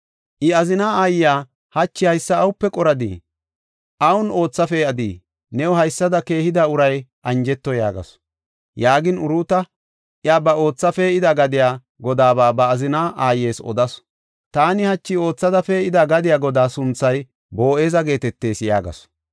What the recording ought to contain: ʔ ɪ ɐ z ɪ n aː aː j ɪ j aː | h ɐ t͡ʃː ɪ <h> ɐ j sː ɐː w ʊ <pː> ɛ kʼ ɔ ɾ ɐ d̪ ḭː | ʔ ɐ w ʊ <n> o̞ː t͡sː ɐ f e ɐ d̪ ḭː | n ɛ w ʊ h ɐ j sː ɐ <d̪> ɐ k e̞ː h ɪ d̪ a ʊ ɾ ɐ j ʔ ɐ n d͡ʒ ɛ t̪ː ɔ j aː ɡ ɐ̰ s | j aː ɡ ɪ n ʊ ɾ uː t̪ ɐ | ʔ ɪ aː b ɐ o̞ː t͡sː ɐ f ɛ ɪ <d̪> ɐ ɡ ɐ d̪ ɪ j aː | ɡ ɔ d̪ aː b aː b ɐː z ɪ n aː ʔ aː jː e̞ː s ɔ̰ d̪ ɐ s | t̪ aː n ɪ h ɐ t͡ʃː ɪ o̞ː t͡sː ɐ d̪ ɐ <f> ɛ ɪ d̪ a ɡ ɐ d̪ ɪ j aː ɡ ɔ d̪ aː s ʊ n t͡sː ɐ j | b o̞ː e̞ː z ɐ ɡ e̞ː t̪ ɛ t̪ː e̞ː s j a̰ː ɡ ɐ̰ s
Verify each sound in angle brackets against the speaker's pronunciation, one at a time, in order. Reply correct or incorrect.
correct, correct, correct, correct, correct, correct

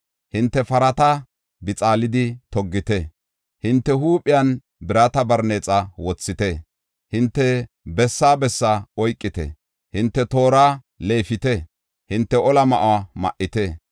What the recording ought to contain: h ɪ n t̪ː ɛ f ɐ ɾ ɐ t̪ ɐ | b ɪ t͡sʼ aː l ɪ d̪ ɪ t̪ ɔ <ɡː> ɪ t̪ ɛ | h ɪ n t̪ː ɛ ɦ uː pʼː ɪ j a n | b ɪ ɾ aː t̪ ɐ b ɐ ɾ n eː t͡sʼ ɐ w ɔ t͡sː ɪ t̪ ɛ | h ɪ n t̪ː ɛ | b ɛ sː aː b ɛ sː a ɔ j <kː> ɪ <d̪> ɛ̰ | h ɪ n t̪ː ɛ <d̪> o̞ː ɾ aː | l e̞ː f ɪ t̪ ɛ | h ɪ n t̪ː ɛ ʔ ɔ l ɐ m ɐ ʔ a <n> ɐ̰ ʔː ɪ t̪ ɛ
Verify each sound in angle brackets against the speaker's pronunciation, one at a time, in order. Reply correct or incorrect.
correct, incorrect: kʼː, incorrect: t̪, incorrect: t̪, incorrect: m

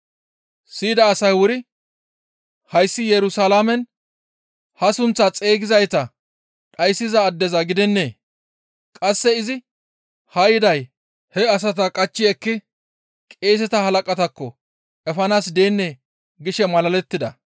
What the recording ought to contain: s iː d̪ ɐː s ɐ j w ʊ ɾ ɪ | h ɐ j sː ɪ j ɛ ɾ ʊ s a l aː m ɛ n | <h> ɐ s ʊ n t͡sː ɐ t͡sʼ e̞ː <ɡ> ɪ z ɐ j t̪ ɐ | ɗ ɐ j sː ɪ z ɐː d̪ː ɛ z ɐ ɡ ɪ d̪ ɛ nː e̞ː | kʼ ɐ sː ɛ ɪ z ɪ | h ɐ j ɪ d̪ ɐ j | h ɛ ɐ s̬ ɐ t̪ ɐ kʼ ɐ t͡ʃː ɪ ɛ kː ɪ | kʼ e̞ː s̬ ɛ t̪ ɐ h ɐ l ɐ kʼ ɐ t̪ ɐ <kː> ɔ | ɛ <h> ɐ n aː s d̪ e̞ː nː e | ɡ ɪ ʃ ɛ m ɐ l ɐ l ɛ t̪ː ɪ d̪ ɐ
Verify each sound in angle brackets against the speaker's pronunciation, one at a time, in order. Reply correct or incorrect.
correct, correct, correct, incorrect: f

